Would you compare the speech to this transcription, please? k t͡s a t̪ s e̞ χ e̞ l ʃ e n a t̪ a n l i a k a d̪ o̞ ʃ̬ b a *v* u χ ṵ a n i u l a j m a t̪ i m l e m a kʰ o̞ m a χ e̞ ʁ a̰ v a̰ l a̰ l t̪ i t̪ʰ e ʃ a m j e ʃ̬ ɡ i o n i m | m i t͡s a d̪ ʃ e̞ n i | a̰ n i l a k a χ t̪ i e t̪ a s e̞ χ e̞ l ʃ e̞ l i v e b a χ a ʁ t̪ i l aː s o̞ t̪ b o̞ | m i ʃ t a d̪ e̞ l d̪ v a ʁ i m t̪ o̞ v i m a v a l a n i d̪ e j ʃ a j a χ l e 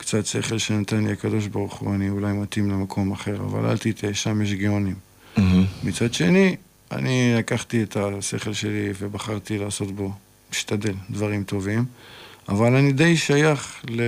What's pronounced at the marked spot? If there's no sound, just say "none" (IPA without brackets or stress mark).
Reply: ʁ